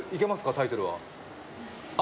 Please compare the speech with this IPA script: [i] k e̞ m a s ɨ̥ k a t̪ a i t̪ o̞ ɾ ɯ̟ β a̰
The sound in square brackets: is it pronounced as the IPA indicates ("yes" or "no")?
yes